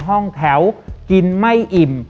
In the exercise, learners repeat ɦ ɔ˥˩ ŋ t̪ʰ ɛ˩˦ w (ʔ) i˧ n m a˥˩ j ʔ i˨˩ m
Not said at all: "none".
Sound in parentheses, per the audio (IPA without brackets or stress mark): k